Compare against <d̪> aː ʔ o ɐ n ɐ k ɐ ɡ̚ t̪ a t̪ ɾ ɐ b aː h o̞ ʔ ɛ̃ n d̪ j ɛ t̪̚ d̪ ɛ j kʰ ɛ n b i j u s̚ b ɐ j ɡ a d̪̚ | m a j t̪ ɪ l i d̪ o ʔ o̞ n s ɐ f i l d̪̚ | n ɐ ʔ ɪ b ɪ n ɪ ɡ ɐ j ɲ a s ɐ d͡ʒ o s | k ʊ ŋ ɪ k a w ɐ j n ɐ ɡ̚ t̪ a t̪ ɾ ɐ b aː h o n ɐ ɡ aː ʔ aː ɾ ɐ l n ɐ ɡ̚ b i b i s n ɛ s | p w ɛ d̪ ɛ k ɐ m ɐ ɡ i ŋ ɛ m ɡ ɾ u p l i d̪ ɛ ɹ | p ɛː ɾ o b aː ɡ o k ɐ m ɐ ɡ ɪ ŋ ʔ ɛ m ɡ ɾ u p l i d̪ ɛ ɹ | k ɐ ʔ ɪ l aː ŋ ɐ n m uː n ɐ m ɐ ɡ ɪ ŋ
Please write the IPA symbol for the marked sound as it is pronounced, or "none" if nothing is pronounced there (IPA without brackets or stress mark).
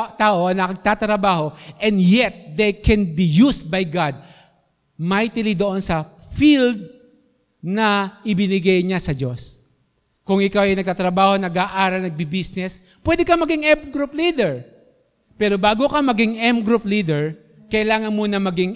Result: t̪